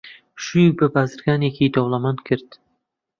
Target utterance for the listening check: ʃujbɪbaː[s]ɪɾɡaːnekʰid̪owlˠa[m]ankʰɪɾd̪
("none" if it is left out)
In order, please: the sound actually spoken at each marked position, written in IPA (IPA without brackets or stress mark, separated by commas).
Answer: z, m